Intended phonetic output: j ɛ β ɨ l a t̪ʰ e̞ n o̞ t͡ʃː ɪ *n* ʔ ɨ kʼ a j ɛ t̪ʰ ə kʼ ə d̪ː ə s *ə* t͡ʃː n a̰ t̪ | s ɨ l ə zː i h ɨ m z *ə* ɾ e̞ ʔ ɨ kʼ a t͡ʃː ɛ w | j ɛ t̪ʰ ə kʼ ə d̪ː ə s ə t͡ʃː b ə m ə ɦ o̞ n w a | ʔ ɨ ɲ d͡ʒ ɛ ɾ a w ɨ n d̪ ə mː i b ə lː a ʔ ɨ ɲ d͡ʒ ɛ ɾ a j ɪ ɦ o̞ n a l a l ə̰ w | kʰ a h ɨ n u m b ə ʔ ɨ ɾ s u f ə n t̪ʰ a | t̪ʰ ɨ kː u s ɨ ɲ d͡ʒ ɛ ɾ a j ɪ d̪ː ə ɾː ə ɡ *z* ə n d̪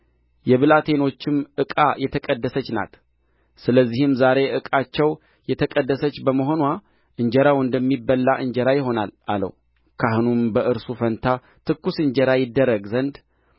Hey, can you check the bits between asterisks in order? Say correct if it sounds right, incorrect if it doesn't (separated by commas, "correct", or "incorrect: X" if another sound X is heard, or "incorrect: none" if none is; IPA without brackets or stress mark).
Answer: incorrect: m, correct, incorrect: a, correct